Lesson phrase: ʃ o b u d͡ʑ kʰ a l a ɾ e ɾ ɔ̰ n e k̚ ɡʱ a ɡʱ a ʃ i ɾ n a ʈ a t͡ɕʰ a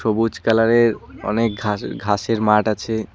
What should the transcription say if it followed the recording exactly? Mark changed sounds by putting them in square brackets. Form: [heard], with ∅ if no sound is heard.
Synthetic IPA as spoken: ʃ o b u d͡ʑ [k] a l a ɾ e ɾ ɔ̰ n e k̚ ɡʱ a ɡʱ a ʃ [e] ɾ [m] a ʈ a t͡ɕʰ [e]